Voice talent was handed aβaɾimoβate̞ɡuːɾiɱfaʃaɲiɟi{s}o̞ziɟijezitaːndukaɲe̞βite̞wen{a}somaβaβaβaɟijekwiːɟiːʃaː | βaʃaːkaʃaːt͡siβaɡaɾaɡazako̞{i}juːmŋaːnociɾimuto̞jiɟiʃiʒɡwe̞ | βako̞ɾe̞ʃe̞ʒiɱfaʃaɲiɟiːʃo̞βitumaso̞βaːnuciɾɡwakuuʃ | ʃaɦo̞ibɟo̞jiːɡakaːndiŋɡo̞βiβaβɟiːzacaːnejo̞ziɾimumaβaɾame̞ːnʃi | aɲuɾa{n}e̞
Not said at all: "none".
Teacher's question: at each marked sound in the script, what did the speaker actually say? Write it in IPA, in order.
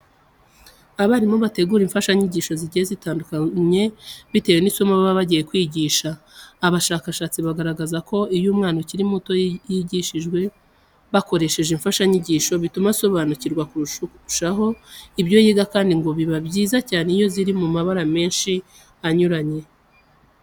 ʃ, i, i, ɲ

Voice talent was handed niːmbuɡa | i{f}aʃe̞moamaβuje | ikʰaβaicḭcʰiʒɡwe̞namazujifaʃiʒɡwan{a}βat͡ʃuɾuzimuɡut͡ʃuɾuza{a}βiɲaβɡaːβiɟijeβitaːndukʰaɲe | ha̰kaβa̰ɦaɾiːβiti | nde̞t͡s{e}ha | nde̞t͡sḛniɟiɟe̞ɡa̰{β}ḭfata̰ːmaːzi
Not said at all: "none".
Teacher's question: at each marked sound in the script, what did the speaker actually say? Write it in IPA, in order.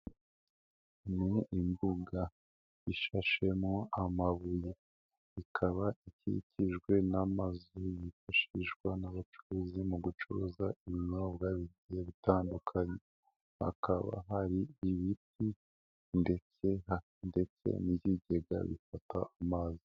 ʃ, a, i, e, β

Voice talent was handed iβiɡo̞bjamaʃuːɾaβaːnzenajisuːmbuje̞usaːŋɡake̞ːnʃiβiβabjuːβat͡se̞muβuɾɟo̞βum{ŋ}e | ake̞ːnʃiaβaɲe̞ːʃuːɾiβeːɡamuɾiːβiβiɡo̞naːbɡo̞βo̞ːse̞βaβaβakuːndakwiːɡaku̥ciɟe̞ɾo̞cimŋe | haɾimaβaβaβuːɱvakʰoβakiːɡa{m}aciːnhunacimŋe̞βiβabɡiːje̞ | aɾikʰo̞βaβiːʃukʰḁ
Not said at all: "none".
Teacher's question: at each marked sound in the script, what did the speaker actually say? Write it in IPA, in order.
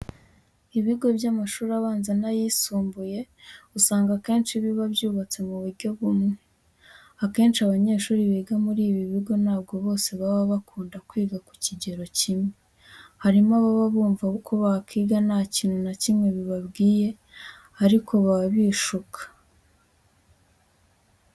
ŋ, n

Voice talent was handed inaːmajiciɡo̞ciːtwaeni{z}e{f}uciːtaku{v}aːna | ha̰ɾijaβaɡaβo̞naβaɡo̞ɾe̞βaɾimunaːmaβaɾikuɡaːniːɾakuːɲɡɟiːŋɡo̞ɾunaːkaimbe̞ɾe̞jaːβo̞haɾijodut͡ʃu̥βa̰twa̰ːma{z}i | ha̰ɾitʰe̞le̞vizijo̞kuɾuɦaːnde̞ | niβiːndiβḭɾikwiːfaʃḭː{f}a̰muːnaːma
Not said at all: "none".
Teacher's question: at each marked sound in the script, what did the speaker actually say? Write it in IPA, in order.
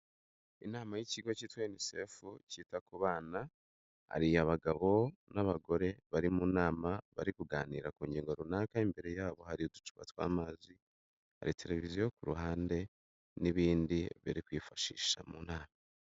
s, f, β, z, ʃ

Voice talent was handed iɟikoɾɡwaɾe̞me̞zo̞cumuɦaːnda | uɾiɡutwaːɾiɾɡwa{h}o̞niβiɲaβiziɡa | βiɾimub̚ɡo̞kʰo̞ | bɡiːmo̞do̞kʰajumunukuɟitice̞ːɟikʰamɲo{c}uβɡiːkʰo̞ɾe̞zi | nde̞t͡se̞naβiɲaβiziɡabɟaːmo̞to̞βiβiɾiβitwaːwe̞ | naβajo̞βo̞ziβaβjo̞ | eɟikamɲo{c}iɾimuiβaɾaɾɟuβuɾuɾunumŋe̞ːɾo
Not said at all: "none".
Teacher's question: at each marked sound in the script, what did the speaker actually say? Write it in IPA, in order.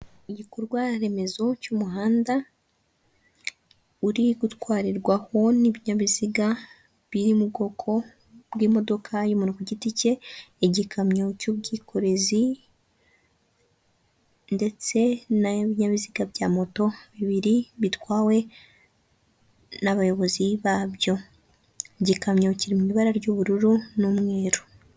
h, c, c

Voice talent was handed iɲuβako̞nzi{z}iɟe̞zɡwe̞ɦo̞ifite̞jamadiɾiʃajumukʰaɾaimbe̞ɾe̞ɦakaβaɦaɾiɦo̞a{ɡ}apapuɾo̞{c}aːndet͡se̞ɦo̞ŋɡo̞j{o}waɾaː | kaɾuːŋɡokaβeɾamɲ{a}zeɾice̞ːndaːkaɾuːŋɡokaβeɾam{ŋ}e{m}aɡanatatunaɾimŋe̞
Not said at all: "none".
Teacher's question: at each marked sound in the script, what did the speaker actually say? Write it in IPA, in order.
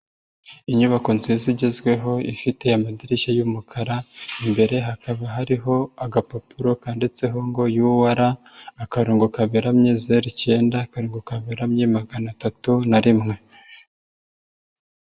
z, ɡ, k, u, e, ɲ, m

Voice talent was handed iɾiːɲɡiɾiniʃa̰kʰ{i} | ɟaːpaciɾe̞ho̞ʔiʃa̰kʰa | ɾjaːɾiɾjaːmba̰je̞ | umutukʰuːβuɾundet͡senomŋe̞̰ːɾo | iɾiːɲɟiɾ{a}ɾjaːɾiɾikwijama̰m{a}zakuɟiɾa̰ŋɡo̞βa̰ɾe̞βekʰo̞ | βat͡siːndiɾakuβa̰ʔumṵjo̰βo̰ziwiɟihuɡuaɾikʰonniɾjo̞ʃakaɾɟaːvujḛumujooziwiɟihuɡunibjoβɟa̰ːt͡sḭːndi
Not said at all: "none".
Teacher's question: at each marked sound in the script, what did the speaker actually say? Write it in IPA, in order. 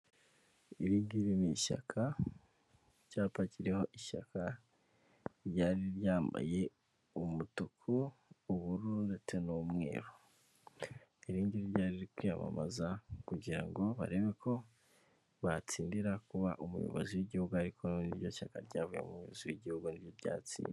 a, i, a

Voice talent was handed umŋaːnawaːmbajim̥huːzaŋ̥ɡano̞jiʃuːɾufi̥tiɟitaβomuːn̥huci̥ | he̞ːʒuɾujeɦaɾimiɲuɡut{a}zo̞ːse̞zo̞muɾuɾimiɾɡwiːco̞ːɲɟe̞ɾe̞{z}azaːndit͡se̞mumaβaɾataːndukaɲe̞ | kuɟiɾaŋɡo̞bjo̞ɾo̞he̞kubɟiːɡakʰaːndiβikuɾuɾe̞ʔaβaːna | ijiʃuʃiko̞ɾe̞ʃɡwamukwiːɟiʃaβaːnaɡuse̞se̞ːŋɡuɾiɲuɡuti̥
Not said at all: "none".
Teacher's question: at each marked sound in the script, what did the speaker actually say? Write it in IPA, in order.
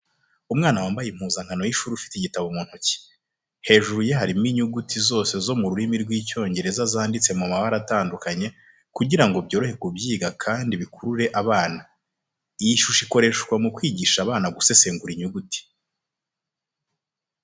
i, z

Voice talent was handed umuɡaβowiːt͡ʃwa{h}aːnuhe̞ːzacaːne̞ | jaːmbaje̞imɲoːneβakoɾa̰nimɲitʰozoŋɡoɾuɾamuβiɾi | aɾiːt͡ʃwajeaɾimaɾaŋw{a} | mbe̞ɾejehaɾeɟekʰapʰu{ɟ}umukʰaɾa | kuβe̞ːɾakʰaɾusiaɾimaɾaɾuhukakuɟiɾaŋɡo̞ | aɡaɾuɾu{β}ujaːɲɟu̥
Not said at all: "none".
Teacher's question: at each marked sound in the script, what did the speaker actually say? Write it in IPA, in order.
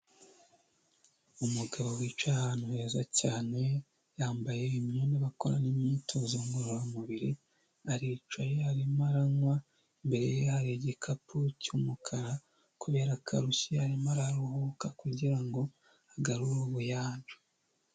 h, a, c, β

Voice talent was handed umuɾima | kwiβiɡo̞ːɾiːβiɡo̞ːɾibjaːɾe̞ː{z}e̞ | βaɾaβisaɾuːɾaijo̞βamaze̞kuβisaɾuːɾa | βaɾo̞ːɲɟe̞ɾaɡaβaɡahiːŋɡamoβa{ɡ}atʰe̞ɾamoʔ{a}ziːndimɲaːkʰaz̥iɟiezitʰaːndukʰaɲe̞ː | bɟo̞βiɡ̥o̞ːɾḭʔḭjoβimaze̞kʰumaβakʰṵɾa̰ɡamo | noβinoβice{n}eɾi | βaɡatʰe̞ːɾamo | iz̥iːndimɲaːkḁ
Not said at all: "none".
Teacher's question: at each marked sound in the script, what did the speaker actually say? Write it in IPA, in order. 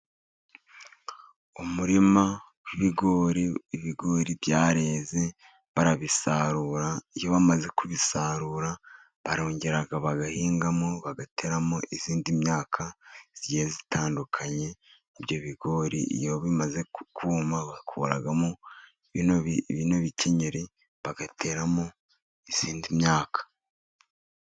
z, ɡ, i, ɲ

